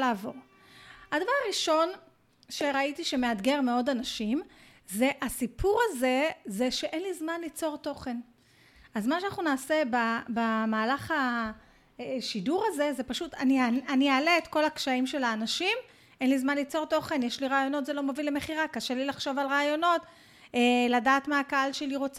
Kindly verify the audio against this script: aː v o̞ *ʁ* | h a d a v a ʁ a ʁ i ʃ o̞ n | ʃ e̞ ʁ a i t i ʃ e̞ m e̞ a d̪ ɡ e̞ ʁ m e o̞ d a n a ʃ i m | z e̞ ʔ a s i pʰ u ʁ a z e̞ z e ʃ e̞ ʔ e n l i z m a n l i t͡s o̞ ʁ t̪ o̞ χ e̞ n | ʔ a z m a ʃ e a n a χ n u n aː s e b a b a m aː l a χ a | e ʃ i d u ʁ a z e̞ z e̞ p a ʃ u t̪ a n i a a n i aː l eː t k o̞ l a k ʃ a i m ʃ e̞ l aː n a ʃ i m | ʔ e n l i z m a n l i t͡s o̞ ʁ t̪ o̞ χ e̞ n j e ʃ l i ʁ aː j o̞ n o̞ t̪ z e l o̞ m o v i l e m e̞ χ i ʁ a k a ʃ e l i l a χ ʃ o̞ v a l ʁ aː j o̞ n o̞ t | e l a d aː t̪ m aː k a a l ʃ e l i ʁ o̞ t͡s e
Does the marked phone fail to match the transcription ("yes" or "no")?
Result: no